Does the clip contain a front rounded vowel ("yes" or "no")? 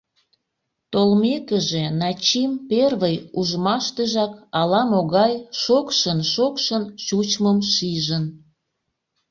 no